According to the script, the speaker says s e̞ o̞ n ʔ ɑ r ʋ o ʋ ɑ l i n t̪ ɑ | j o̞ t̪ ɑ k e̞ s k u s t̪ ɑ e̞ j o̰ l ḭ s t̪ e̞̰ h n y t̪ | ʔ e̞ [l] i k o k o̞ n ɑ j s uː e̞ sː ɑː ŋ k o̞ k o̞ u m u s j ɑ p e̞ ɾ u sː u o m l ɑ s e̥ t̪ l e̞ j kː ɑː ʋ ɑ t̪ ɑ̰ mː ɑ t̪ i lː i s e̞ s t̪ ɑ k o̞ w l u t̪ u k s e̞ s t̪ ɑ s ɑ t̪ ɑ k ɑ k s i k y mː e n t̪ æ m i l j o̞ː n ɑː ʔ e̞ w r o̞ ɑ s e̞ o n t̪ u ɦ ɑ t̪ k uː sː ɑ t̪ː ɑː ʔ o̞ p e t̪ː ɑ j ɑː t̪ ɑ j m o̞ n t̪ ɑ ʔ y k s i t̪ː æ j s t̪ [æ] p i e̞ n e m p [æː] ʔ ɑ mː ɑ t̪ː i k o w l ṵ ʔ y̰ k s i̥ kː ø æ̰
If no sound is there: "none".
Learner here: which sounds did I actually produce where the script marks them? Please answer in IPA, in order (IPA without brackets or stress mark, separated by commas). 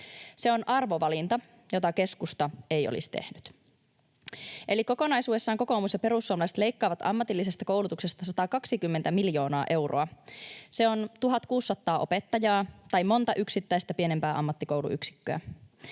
l, æ, æː